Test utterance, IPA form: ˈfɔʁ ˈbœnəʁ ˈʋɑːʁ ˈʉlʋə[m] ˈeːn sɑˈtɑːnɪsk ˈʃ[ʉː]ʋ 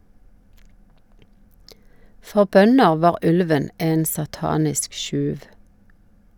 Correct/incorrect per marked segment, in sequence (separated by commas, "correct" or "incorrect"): incorrect, correct